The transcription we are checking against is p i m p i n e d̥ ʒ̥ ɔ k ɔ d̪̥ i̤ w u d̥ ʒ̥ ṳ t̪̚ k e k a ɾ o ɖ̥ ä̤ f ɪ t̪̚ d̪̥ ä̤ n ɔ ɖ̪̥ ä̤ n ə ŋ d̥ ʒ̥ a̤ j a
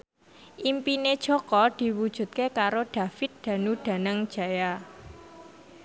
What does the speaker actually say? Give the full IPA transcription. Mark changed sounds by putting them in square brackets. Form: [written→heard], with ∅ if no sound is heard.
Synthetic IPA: [p→ʔ] i m p i n e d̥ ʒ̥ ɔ k ɔ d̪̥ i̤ w u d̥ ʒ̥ ṳ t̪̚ k e k a ɾ o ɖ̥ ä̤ f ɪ t̪̚ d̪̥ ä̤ n [ɔ→u] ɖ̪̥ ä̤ n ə ŋ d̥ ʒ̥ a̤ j a